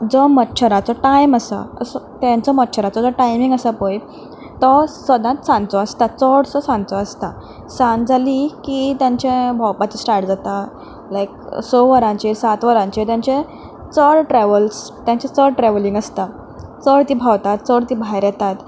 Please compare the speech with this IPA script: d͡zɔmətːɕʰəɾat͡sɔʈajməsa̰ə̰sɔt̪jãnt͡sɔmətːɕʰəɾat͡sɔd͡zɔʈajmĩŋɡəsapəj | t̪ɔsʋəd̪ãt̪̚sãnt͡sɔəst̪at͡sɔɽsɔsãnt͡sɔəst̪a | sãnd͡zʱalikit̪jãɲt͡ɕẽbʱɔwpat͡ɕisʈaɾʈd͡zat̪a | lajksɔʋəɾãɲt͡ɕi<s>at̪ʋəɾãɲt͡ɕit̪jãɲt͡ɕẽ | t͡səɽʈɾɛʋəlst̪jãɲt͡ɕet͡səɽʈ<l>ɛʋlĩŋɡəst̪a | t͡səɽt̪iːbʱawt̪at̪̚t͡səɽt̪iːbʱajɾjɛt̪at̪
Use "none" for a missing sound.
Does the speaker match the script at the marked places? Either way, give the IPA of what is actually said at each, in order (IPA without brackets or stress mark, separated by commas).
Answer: s, ɾ